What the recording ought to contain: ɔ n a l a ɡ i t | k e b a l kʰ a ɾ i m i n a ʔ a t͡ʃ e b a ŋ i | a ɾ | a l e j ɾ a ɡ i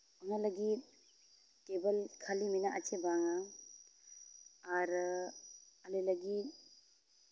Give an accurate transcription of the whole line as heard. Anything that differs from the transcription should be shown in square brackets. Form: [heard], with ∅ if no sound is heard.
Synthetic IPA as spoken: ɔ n a l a ɡ i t | k e b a l kʰ a [l] i m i n a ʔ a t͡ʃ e b a ŋ [a] | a ɾ | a l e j [l] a ɡ i

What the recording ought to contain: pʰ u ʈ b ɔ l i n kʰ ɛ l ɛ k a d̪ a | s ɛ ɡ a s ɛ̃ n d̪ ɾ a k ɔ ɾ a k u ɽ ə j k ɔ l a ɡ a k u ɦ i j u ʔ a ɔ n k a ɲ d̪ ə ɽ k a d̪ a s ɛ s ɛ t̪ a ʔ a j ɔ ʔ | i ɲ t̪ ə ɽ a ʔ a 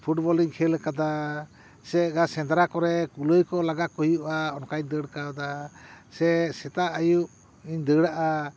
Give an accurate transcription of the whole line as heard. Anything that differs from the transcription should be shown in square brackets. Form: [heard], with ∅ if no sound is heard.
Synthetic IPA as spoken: pʰ u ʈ b ɔ l i [ŋ] kʰ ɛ l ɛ k a d̪ a | s ɛ ɡ a s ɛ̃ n d̪ ɾ a k ɔ ɾ [ɛ] k u [l] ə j k ɔ l a ɡ a k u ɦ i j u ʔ a ɔ n k a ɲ d̪ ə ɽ k a d̪ a s ɛ s ɛ t̪ a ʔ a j [u] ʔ | i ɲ [d̪] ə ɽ a ʔ a

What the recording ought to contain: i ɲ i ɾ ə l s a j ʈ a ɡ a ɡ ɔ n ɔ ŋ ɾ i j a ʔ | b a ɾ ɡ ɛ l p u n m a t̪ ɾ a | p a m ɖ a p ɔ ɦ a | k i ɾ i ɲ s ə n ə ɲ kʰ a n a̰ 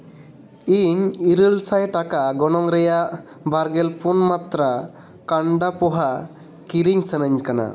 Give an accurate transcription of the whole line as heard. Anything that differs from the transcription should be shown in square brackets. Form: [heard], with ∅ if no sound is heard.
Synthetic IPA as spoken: i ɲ i ɾ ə l s a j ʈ a [k] a ɡ ɔ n ɔ ŋ ɾ [ɛ] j a ʔ | b a ɾ ɡ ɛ l p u n m a t̪ ɾ a | [k] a [ɳ] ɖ a p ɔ ɦ a | k i ɾ i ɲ s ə n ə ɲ [k] a n a̰

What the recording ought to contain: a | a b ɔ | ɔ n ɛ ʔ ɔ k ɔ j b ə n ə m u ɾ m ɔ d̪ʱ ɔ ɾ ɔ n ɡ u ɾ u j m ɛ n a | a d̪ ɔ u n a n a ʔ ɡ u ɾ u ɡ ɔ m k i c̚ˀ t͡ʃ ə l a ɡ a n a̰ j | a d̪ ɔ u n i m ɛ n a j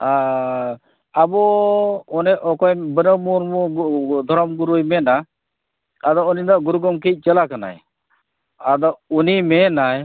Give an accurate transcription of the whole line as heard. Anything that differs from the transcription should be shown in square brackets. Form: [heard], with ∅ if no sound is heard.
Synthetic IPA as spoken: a | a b ɔ | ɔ n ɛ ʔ ɔ k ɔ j b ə n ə m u ɾ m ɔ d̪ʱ ɔ ɾ ɔ [m] ɡ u ɾ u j m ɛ n a | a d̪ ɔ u n [i] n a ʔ ɡ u ɾ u ɡ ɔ m k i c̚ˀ t͡ʃ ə l a [k] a n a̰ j | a d̪ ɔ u n i m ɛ n a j

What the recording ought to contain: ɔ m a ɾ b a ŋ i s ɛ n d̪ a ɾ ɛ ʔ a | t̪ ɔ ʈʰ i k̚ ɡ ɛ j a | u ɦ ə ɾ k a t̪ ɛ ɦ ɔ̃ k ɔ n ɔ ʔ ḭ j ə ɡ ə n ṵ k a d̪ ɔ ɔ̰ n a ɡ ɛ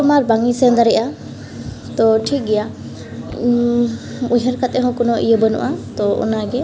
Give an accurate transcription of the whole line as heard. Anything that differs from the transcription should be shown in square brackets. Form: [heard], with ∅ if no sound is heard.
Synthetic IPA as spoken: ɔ m a ɾ b a ŋ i s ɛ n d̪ a ɾ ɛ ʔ a | t̪ ɔ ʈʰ i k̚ ɡ ɛ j a | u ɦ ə ɾ k a t̪ ɛ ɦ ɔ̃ k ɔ n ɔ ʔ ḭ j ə [b] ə n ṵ [ʔ] a [t̪] ɔ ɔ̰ n a ɡ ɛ

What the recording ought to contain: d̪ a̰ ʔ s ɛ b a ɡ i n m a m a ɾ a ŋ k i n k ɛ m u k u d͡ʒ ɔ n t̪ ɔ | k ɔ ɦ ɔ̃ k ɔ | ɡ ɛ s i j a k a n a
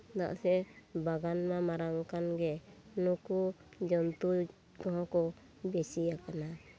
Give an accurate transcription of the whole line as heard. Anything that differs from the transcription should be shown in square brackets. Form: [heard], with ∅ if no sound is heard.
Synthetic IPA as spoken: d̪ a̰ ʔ s ɛ b a ɡ [a] n m a m a ɾ a ŋ k [a] n [ɡ] ɛ [n] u k u d͡ʒ ɔ n t̪ [u] | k ɔ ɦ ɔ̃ k ɔ | [b] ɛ s i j a k a n a

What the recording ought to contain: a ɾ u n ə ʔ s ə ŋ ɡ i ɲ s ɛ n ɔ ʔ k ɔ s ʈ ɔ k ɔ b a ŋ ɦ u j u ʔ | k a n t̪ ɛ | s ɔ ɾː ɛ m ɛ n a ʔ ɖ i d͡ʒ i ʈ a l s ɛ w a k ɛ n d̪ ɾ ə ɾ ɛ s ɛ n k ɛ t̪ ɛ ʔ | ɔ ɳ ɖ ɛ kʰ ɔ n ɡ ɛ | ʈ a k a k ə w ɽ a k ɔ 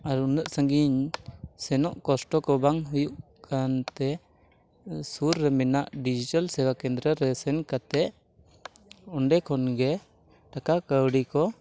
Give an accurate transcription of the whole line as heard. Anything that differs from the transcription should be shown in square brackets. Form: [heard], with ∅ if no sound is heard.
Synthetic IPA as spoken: a ɾ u n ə ʔ s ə ŋ ɡ i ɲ s ɛ n ɔ ʔ k ɔ s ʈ ɔ k ɔ b a ŋ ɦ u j u ʔ | k a n t̪ ɛ | s [u] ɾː ɛ m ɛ n a ʔ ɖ i d͡ʒ i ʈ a l s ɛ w a k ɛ n d̪ ɾ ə ɾ ɛ s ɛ n k [a] t̪ ɛ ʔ | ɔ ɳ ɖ ɛ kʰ ɔ n ɡ ɛ | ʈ a k a k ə w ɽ [i] k ɔ

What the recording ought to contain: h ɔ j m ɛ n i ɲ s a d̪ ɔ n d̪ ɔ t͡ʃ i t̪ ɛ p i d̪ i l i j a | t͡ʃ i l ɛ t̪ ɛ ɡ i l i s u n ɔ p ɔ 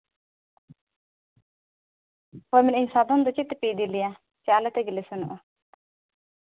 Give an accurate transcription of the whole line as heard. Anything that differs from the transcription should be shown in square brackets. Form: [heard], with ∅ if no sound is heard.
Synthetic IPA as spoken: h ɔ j m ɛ n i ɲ s a d̪ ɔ n d̪ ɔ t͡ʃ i t̪ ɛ p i d̪ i l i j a | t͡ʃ [a] l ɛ t̪ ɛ ɡ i l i s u n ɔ [ʔ] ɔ

